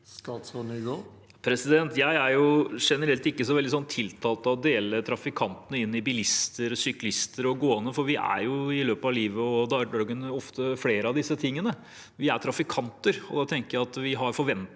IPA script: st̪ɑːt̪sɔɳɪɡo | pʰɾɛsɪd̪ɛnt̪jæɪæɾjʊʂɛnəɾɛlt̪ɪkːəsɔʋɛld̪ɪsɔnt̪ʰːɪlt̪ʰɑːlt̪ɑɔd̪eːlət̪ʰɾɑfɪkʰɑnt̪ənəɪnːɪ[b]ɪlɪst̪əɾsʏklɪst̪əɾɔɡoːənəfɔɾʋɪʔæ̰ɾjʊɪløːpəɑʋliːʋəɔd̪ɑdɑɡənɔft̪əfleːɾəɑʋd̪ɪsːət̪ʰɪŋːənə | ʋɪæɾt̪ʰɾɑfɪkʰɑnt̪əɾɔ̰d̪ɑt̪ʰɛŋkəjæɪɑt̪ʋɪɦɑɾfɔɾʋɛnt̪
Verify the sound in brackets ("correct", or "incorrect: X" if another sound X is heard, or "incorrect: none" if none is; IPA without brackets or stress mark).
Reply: correct